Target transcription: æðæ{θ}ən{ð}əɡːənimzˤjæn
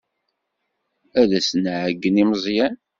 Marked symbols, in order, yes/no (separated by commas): no, no